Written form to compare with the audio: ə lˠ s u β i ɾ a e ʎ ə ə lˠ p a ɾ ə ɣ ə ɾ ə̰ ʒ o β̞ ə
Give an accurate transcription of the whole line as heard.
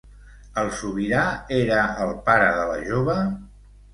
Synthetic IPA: ə lˠ s u β i ɾ a e ɾ ə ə lˠ p a ɾ ə ð ə l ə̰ ʒ o β̞ ə